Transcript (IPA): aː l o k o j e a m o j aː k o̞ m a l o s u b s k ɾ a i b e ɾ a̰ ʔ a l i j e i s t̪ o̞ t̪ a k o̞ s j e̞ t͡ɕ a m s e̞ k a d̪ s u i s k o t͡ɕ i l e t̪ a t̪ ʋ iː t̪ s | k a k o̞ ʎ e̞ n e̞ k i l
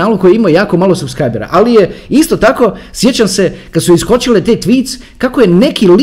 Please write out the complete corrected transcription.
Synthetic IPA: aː l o k o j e i m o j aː k o̞ m a l o s u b s k ɾ a j b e ɾ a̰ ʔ a l i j e i s t̪ o̞ t̪ a k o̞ s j e̞ t͡ɕ a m s e̞ k a d̪ s u i s k o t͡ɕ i l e t̪ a t̪ ʋ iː t̪ s | k a k o̞ j e̞ n e̞ k i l